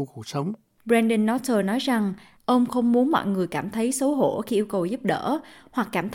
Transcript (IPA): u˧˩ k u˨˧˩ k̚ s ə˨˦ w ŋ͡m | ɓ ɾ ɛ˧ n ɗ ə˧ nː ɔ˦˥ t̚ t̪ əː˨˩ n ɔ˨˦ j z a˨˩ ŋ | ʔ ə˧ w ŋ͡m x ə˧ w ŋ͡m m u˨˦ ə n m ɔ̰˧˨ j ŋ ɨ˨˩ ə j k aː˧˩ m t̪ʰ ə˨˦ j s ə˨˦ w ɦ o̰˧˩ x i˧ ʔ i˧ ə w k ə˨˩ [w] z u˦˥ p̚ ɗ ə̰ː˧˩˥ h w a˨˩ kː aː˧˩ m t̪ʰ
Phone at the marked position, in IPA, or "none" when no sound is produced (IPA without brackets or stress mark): w